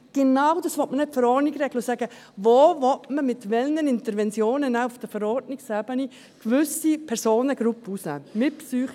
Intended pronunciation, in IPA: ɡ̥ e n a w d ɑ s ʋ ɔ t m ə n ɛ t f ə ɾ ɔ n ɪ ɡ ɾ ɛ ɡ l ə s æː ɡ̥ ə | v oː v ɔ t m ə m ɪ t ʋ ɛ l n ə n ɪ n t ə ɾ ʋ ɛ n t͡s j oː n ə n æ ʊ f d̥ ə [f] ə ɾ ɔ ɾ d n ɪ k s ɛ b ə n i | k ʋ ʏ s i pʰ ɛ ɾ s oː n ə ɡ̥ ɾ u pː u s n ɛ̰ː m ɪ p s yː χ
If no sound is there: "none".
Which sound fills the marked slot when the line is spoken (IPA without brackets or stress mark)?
f